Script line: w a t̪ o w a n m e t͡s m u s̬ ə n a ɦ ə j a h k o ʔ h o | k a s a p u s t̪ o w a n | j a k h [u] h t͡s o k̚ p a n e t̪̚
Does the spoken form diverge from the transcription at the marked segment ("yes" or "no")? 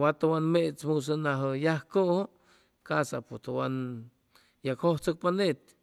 yes